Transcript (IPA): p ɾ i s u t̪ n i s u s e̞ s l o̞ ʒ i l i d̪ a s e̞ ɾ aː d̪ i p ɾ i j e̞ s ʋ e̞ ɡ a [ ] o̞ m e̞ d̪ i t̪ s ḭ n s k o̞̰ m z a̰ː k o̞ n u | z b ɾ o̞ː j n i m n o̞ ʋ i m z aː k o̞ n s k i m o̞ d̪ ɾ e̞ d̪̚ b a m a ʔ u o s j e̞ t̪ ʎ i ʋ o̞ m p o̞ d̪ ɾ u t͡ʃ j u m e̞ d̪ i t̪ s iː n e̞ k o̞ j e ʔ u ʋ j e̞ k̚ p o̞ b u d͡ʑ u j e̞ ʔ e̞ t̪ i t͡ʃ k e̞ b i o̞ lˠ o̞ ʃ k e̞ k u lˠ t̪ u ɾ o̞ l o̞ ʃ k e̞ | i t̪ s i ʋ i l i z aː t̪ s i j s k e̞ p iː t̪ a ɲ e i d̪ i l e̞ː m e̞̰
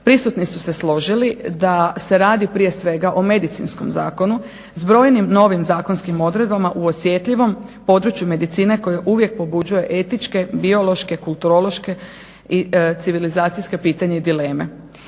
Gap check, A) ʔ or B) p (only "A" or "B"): A